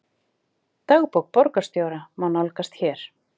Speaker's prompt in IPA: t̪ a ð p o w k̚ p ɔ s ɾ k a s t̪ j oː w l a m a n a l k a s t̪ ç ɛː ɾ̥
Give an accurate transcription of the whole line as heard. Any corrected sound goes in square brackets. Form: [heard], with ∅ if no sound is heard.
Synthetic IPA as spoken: t̪ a [ɣ] p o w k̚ p ɔ [∅] ɾ k a s t̪ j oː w [ɾ] a m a n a l k a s t̪ ç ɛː ɾ̥